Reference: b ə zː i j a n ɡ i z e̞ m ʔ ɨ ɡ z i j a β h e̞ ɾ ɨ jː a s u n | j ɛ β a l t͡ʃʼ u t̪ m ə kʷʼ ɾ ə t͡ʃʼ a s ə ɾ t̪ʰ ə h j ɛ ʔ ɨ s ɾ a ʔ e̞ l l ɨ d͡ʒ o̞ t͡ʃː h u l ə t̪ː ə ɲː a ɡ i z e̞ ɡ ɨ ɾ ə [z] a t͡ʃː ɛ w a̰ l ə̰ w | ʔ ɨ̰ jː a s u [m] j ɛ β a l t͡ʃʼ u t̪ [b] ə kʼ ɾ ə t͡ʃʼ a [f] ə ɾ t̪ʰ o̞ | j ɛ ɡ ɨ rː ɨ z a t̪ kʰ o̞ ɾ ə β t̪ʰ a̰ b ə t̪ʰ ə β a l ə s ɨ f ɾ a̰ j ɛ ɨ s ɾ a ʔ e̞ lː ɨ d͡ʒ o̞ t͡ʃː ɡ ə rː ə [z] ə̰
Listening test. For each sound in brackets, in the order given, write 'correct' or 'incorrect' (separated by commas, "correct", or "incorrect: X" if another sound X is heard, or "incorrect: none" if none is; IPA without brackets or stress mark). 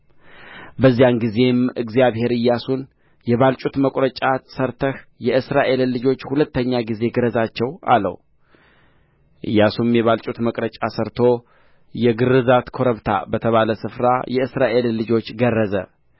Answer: correct, correct, incorrect: m, incorrect: s, correct